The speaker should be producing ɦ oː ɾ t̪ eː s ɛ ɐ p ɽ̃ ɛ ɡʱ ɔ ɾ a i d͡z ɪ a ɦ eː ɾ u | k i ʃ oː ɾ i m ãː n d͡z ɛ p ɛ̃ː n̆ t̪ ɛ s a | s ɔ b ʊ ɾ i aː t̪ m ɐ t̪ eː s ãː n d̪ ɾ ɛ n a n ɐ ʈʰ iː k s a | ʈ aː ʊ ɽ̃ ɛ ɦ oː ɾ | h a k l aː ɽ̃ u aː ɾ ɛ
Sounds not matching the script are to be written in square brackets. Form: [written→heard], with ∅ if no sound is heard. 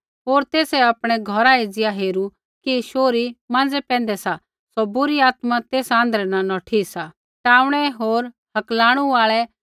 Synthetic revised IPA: ɦ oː ɾ t̪ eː s ɛ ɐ p ɽ̃ ɛ ɡʱ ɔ ɾ a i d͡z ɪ a ɦ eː ɾ u | k i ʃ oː ɾ i m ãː n d͡z ɛ p ɛ̃ː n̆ [t̪→d̪] ɛ s a | s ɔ b ʊ ɾ i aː t̪ m [ɐ→a] t̪ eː s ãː n d̪ ɾ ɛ n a n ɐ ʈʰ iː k s a | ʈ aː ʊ ɽ̃ ɛ ɦ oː ɾ | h [a→ɐ] k l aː ɽ̃ u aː [ɾ→ɭ] ɛ